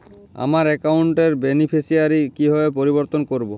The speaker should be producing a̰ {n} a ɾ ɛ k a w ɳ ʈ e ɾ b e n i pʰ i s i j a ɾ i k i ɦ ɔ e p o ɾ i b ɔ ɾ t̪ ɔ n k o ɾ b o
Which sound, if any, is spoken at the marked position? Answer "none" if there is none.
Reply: m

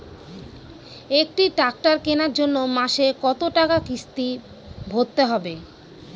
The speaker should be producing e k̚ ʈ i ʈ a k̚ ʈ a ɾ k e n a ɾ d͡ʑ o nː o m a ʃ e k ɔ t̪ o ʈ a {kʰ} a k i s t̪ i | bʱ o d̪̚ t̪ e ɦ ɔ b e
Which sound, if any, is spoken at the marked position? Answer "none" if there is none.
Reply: k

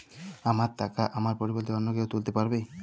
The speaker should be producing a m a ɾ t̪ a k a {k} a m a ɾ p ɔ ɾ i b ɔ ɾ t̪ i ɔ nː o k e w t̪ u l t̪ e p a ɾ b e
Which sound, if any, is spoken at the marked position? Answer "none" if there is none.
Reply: ʔ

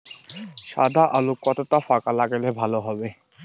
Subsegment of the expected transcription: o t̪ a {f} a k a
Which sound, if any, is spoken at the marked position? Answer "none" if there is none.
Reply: f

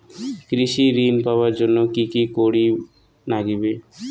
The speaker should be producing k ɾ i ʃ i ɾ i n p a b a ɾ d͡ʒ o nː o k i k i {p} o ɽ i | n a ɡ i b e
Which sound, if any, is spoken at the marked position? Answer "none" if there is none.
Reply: k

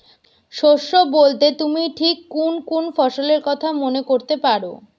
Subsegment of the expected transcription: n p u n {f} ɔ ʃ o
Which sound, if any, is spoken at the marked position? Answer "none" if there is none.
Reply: f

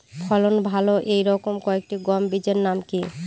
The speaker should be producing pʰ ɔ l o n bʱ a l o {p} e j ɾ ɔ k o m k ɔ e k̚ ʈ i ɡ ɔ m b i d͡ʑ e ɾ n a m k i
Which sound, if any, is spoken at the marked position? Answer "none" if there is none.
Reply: ʔ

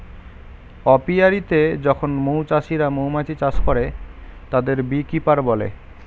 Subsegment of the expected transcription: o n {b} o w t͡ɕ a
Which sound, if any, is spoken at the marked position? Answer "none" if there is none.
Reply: m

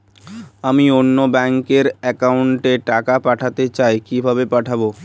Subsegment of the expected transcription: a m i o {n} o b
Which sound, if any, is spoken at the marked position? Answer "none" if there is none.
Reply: nː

